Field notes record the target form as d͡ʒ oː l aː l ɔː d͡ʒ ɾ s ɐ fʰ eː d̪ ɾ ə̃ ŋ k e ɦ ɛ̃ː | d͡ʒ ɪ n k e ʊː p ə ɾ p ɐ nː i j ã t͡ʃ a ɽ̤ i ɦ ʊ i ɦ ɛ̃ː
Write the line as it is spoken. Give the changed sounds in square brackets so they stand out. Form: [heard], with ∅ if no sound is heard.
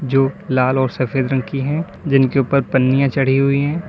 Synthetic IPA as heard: d͡ʒ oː l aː l ɔː [∅] ɾ s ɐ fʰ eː d̪ ɾ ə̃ ŋ k [i] ɦ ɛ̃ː | d͡ʒ ɪ n k e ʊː p ə ɾ p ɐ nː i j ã t͡ʃ [ɐ] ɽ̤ i ɦ ʊ i ɦ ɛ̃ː